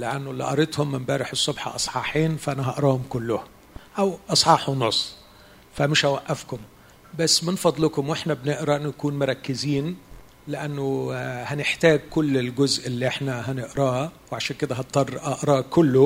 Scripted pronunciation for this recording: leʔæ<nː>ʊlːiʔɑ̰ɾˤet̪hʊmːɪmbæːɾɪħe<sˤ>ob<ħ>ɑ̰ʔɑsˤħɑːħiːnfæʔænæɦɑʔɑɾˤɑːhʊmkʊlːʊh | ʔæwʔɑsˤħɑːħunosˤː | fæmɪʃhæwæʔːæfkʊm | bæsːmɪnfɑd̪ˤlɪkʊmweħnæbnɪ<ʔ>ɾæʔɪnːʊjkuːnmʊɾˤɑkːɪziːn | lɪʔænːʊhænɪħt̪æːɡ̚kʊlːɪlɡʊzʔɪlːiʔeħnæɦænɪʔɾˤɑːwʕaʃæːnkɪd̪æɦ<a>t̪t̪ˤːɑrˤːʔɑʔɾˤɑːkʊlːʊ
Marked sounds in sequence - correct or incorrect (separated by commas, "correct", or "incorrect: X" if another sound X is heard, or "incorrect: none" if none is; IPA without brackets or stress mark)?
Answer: correct, incorrect: sˤː, correct, correct, incorrect: ɑ